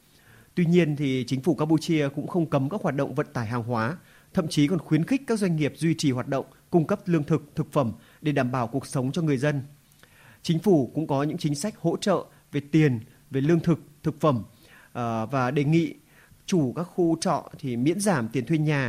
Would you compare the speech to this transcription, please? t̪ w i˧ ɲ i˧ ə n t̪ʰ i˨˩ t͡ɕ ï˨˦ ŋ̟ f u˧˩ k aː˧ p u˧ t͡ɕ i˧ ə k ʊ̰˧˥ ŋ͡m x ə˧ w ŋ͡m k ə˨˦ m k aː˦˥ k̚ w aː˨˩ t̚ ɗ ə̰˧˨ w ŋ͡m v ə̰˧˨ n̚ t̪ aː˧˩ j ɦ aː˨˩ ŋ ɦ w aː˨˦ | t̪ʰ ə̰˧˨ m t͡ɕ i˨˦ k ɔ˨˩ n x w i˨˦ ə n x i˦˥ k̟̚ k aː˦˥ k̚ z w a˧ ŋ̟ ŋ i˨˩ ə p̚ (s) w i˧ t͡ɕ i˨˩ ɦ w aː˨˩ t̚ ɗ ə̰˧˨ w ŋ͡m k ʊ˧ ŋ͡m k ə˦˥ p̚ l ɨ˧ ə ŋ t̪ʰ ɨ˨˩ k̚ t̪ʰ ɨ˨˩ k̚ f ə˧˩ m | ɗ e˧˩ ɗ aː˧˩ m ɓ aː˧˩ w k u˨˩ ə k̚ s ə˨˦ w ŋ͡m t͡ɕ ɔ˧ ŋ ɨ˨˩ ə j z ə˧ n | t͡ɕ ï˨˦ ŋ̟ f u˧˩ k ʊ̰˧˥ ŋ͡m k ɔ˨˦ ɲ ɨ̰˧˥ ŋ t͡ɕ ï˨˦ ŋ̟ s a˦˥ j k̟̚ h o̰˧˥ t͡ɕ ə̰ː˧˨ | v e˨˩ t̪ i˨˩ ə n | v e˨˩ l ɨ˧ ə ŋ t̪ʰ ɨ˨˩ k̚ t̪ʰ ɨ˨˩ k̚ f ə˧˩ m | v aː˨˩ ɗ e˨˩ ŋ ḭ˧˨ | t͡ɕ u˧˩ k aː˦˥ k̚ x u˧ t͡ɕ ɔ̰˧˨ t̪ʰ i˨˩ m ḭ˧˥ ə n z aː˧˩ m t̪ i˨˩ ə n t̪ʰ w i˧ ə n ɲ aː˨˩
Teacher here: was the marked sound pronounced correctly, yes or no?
no